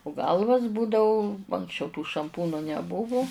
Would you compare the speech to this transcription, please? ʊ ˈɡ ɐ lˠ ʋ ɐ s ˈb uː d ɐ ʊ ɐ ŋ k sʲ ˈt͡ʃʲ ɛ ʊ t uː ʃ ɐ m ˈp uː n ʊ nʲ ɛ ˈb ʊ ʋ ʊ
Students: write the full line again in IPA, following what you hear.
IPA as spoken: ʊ ˈɡ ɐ lˠ ʋ ɐ s ˈb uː d ɐ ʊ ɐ ŋ k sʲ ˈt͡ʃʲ ɛ ʊ t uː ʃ ɐ m ˈp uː n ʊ nʲ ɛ ˈb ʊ ʋ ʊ